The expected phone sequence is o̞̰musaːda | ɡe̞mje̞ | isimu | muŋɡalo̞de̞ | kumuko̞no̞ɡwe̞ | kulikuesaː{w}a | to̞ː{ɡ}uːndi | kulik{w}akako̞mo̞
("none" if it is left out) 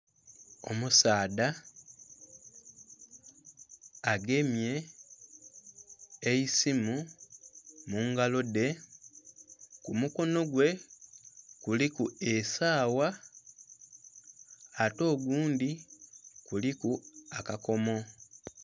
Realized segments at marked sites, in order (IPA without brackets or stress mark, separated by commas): w, ɡ, u